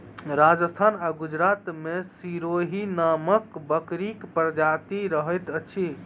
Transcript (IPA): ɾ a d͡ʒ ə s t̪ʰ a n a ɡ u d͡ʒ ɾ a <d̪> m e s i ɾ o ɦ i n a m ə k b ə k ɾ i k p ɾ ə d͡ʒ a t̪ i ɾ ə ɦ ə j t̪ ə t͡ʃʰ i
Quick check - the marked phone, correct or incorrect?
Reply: incorrect: t̪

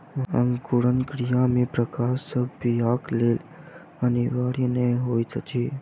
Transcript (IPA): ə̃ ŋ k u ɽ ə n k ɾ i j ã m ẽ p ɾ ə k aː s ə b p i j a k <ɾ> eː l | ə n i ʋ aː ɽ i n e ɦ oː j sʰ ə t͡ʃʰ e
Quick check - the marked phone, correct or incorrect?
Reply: incorrect: l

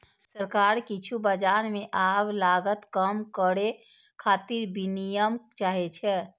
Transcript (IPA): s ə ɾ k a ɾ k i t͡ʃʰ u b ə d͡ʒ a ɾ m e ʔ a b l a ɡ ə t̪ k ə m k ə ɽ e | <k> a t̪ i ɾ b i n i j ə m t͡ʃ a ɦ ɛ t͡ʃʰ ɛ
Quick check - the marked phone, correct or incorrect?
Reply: incorrect: kʰ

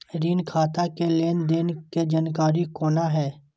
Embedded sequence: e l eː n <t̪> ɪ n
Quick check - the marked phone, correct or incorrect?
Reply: incorrect: d̪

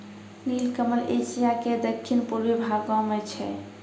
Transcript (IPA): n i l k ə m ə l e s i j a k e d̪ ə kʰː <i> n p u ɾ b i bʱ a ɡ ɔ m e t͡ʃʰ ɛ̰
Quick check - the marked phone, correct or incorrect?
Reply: correct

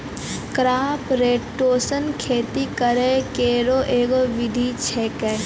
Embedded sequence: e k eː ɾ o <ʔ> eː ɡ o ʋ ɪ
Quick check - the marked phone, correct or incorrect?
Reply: correct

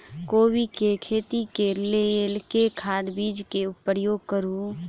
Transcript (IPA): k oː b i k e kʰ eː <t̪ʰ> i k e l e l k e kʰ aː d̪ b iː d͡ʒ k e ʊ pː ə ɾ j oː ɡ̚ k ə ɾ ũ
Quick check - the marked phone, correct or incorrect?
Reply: incorrect: t̪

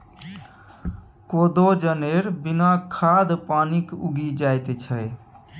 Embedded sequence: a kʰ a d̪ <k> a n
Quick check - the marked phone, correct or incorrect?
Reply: incorrect: p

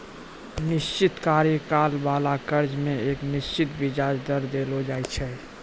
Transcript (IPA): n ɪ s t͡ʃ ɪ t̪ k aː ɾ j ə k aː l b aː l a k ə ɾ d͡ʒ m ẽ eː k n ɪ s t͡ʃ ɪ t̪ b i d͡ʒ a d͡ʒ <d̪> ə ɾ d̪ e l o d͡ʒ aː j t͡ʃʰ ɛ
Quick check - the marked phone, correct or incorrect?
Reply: correct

